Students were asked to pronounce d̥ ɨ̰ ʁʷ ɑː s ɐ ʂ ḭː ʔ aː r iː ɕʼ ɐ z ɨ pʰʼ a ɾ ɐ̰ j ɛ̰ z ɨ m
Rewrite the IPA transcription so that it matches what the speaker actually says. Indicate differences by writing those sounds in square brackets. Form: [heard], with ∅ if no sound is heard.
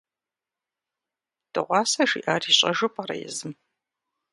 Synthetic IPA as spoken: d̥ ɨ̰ ʁʷ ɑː s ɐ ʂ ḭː ʔ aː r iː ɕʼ ɐ [ʒ] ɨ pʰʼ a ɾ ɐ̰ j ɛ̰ z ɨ m